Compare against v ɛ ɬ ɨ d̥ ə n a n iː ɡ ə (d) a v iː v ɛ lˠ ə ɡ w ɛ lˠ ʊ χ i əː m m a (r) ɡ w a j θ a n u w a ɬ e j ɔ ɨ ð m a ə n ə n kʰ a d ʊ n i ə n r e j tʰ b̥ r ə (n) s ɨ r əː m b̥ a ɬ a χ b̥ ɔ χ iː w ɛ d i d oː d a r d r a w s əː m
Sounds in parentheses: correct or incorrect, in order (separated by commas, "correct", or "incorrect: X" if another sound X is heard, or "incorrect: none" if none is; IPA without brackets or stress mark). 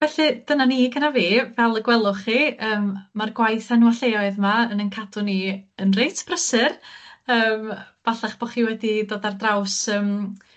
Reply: incorrect: n, correct, incorrect: none